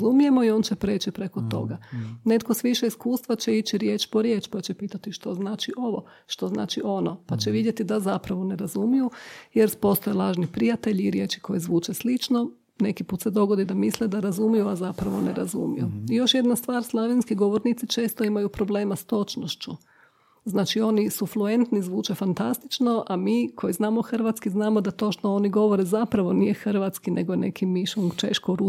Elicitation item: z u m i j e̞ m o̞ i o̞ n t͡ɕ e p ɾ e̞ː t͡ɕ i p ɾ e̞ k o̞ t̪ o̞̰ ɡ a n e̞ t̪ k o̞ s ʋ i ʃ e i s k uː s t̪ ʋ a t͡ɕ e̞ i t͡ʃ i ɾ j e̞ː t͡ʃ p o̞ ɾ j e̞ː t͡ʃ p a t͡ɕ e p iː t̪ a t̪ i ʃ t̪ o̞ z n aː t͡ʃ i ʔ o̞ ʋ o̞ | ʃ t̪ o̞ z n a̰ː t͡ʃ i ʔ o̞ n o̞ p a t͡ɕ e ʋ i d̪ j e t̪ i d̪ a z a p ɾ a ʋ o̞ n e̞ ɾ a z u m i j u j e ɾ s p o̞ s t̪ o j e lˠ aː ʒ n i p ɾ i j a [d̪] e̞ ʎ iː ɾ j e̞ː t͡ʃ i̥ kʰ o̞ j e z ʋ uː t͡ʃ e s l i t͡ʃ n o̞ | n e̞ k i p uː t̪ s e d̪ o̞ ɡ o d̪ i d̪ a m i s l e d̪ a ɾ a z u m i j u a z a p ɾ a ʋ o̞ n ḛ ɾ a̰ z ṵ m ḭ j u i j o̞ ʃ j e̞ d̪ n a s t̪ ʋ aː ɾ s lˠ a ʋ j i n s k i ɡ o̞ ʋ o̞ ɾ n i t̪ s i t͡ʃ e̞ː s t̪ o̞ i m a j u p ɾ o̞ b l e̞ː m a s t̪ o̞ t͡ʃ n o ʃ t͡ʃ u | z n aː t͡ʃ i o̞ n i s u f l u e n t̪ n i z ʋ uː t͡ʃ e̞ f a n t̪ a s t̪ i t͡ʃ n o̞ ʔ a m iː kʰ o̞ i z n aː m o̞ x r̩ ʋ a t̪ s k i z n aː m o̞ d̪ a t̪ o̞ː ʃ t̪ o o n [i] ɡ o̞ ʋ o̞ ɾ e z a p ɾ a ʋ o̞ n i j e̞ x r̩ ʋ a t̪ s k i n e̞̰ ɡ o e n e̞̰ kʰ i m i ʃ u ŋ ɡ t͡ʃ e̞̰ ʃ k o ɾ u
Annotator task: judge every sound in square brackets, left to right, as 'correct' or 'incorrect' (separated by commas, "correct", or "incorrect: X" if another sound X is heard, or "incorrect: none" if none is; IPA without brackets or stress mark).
incorrect: t̪, correct